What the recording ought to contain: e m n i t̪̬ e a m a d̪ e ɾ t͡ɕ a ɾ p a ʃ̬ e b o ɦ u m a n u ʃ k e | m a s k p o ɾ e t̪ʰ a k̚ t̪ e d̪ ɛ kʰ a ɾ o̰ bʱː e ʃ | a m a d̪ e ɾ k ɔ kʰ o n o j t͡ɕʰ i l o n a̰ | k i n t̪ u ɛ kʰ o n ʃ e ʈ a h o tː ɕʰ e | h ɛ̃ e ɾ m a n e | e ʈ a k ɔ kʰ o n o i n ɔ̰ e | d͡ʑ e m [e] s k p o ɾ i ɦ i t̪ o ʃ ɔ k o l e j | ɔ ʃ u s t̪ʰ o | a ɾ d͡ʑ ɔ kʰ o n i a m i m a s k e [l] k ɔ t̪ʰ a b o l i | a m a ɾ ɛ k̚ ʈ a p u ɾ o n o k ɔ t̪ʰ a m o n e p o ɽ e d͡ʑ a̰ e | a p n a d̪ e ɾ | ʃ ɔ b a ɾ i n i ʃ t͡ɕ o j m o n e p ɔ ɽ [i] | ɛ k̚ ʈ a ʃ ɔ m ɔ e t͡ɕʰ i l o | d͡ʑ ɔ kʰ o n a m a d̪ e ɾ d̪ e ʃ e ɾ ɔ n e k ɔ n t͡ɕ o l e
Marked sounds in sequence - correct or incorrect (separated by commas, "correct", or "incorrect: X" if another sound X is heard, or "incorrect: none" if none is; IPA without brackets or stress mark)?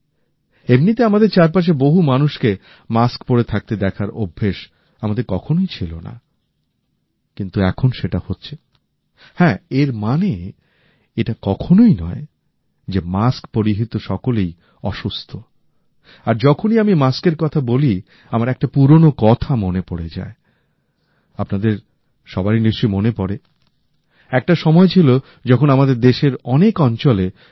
incorrect: a, incorrect: ɾ, incorrect: e